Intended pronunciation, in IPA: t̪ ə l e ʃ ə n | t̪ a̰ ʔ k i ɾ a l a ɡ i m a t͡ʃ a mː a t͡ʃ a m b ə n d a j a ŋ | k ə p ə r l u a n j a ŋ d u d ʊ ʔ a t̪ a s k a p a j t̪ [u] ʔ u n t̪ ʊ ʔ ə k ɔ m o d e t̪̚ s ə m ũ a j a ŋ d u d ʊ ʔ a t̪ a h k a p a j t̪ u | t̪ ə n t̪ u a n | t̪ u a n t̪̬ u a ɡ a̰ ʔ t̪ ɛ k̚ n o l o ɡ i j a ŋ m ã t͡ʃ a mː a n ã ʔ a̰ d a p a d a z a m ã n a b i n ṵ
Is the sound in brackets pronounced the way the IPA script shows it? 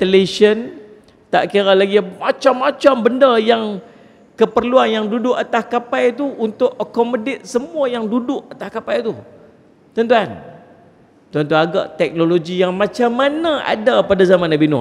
yes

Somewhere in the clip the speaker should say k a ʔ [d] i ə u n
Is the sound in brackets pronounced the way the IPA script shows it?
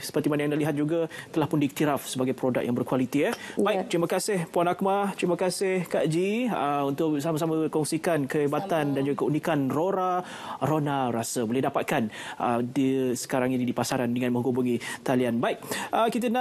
no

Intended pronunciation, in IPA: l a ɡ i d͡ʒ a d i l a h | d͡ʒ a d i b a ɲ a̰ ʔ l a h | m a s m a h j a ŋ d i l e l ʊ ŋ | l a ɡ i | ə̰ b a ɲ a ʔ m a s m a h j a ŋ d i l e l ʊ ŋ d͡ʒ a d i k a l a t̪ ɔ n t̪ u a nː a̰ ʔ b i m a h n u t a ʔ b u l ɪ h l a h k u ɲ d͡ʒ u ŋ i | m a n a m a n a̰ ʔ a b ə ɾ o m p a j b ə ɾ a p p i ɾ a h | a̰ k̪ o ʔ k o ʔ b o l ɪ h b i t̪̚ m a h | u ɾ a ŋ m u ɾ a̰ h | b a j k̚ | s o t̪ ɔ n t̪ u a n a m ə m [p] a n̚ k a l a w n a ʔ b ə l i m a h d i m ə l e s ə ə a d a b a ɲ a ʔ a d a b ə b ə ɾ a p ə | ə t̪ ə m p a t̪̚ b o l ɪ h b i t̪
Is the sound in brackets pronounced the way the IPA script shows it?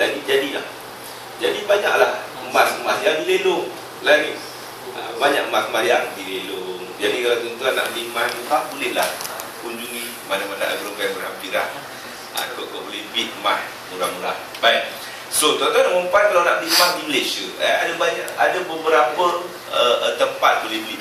yes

